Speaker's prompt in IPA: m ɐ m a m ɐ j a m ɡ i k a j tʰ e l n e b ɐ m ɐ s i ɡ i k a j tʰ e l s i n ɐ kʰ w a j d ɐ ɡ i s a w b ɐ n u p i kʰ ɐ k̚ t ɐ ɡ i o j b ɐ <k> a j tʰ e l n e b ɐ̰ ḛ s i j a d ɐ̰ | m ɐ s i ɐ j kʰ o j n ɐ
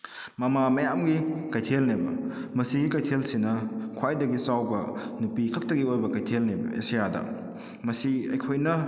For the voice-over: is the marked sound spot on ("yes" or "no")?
yes